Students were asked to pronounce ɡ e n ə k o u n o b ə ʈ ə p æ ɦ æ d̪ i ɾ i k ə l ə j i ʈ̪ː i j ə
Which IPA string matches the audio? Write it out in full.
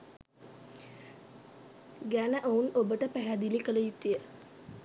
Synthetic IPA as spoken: ɡ æ n ə ʔ o u n o b ə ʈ ə p æ ɦ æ d̪ i l i k ə l ə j i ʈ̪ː i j ə